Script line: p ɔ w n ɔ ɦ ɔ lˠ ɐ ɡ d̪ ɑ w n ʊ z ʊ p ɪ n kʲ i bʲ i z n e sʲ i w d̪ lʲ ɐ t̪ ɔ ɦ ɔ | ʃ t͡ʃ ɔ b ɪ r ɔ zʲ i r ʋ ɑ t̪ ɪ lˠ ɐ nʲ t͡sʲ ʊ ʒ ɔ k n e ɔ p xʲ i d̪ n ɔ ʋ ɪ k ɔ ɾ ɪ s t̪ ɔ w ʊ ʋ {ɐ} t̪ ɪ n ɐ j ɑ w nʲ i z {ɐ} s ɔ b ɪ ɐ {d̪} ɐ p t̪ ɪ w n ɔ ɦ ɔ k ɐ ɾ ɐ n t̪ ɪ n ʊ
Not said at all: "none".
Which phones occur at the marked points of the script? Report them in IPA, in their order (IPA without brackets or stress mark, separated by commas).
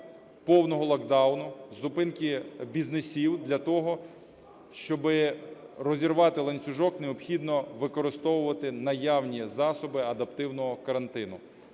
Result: ɐ, ɑ, d̪